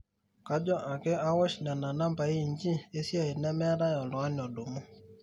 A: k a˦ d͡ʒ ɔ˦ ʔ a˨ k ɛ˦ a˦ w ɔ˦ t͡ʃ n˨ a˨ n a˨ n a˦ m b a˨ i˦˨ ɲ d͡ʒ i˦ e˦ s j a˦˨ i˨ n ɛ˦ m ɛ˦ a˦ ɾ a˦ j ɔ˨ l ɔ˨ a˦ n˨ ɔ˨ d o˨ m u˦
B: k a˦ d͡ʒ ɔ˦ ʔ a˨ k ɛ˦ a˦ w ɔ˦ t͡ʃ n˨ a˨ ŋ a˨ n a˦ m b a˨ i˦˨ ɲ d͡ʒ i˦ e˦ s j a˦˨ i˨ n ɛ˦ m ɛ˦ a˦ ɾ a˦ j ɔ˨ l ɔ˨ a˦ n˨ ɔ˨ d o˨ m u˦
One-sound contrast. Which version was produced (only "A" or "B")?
A